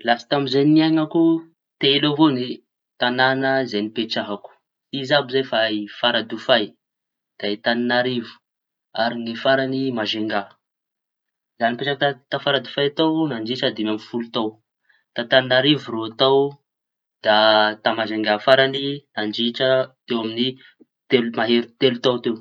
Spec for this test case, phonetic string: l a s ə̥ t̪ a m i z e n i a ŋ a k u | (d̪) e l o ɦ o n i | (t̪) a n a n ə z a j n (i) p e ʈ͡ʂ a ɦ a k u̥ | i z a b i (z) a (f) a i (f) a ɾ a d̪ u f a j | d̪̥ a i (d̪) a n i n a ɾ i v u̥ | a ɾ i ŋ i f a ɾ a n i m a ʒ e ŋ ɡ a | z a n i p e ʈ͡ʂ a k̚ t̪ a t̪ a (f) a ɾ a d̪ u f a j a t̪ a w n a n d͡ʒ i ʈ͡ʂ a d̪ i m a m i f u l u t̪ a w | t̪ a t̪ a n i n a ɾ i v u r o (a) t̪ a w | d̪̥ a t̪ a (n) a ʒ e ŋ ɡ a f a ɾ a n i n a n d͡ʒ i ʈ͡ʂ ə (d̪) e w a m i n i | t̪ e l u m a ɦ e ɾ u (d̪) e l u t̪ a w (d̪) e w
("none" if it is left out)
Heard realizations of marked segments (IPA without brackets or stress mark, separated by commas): t̪, t̪, i, z, f, f, t̪, f, a, m, t̪, t̪, t̪